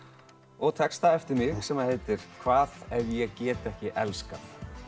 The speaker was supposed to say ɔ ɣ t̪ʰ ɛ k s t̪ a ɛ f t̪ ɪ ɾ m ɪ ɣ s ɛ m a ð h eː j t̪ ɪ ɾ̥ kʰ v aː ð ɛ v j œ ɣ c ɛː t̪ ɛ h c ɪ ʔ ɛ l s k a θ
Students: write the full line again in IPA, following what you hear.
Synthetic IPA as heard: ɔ ɣ t̪ʰ ɛ k s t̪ a ɛ f t̪ ɪ ɾ m ɪ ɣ s ɛ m a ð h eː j t̪ ɪ ɾ̥ kʰ v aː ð ɛ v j ɛ ɣ c ɛː t̪ ɛ h c ɪ ʔ ɛ l s k a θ